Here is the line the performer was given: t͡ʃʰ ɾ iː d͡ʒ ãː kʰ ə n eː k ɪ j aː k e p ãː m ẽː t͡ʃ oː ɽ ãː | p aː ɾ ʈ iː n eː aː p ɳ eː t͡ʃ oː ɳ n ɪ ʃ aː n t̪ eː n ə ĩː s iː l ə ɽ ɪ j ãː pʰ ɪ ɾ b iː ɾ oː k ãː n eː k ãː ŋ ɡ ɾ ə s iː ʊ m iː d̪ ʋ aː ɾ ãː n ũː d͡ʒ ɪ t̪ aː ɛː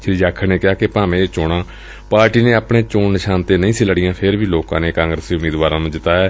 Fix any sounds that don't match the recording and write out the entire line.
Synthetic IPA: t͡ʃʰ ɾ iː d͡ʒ aː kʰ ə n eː k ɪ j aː k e p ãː m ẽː t͡ʃ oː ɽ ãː | p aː ɾ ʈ iː n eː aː p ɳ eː t͡ʃ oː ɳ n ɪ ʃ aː n t̪ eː n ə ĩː s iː l ə ɽ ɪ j ãː pʰ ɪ ɾ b iː l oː k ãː n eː k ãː ŋ ɡ ɾ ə s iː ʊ m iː d̪ ʋ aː ɾ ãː n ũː d͡ʒ ɪ t̪ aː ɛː